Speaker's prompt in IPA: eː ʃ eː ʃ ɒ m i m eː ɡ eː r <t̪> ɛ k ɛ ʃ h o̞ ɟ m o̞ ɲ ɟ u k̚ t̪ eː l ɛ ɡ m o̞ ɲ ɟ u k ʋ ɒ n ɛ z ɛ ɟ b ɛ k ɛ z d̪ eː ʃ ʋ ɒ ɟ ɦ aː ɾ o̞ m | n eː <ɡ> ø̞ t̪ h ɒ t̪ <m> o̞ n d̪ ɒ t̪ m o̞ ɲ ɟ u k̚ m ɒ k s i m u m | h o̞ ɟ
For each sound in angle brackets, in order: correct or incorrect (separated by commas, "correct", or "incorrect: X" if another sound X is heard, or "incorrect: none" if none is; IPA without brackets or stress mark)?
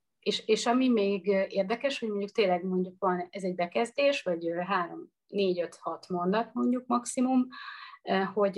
incorrect: d̪, incorrect: ɟ, correct